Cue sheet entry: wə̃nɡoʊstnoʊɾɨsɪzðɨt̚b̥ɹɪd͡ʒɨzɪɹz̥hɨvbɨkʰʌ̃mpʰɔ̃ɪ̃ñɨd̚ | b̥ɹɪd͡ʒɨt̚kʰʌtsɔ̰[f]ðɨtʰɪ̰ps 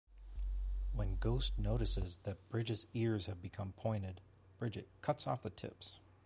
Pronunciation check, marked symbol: correct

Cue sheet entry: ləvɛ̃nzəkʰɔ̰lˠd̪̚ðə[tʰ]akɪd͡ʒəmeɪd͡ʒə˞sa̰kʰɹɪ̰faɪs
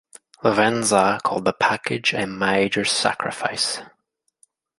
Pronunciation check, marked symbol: incorrect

